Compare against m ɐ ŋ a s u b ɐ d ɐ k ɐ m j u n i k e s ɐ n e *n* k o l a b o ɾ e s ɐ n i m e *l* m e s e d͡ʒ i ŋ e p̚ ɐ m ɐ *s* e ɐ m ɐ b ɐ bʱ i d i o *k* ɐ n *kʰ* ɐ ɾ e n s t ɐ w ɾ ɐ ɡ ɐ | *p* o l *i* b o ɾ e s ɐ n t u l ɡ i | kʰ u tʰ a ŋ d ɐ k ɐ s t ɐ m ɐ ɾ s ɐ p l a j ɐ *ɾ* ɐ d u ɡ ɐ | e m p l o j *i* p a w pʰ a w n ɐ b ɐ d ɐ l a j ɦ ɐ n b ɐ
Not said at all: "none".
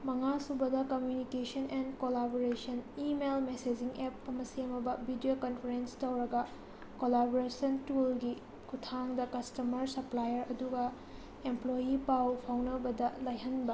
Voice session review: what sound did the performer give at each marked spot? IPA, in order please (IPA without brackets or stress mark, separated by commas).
n, l, s, k, pʰ, k, a, ɾ, i